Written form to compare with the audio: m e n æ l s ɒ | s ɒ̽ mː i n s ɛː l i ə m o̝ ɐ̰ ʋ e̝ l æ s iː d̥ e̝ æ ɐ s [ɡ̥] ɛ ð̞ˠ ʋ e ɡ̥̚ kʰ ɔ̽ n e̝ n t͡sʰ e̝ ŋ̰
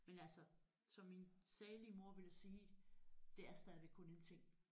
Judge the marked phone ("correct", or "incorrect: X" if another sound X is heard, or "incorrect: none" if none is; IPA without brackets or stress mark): incorrect: d̥